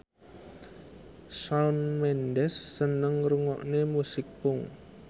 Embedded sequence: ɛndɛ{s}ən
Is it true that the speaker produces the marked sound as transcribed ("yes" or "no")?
no